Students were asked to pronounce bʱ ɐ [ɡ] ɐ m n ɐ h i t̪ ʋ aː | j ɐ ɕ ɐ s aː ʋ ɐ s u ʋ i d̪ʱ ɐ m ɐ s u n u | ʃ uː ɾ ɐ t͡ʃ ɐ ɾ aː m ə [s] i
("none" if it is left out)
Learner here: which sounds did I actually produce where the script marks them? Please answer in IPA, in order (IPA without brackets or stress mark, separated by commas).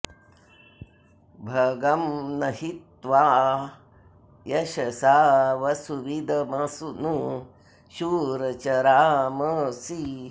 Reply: ɡ, s